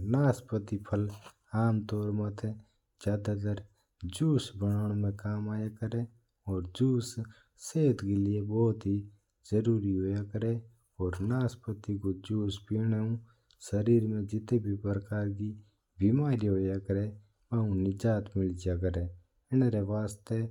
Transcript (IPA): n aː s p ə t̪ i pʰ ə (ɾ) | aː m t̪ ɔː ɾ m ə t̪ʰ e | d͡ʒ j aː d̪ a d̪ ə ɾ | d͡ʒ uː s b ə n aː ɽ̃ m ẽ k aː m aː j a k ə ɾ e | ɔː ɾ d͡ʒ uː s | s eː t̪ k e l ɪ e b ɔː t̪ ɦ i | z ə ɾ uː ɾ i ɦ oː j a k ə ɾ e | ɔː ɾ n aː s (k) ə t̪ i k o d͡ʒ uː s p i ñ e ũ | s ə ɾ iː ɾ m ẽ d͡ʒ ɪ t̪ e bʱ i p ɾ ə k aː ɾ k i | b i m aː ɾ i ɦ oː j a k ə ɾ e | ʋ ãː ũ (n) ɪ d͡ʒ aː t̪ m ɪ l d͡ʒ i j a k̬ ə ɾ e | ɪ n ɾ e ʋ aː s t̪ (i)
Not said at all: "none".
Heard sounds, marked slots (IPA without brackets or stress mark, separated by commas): l, p, n, e